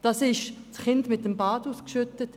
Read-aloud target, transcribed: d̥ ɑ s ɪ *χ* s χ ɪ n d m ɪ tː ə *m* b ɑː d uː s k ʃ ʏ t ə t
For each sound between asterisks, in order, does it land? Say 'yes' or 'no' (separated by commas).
no, yes